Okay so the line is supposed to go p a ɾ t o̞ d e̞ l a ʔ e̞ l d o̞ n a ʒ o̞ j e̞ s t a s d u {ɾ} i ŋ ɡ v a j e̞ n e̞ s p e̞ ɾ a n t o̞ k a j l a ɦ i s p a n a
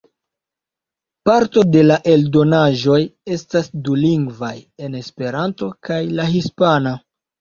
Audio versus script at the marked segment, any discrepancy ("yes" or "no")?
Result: yes